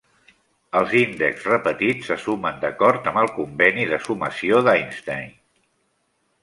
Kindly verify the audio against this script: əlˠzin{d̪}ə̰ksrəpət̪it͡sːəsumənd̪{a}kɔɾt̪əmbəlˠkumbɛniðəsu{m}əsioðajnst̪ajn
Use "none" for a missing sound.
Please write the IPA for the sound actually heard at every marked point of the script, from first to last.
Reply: d̪, ə, m

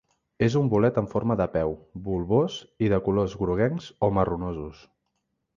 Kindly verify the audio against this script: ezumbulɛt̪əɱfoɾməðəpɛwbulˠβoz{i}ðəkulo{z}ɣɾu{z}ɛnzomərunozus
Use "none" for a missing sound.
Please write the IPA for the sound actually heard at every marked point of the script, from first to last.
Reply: i, z, ɣ

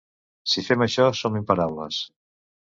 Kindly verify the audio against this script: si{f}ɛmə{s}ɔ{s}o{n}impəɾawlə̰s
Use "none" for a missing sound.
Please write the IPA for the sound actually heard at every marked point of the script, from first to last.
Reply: f, ʃ, s, m

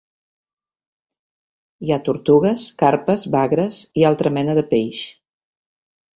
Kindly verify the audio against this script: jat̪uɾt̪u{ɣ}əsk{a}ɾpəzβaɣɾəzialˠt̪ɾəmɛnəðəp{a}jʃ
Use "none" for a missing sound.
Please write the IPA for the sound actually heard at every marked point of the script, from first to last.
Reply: ɣ, a, e

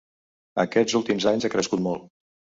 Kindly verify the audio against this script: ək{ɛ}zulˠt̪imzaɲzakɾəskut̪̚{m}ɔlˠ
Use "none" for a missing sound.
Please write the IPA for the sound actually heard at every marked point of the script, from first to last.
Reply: ɛ, m

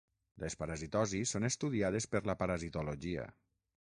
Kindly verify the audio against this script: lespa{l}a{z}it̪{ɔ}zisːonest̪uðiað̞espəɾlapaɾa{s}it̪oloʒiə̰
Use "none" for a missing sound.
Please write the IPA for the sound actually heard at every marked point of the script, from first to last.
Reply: ɾ, z, ɔ, z

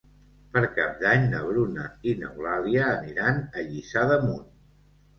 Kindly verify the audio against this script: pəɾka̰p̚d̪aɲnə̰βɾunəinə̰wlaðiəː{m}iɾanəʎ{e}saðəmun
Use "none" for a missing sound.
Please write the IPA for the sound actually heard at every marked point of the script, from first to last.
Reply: n, i

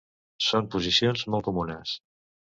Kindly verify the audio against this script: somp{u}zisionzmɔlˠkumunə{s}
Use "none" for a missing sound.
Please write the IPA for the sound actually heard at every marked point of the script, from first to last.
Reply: u, s

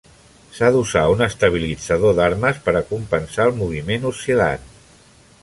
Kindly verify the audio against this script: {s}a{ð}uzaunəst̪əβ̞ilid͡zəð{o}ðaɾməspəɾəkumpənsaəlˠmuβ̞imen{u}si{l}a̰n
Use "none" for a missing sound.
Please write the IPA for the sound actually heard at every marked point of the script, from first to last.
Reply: s, ð, o, u, l

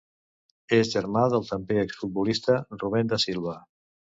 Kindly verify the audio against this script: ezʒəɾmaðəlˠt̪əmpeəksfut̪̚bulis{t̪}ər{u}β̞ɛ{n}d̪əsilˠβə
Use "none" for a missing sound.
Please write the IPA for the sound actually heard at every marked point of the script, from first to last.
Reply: t̪, u, n

